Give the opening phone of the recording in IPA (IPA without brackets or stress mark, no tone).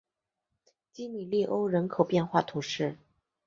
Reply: t͡ɕ